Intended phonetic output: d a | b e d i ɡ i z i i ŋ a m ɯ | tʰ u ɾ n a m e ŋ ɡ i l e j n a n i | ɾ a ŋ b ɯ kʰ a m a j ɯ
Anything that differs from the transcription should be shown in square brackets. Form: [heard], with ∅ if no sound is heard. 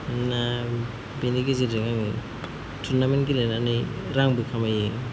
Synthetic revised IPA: [n] a | b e [n] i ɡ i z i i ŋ a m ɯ | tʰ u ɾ n a m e [n] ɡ i l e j n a n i | ɾ a ŋ b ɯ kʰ a m a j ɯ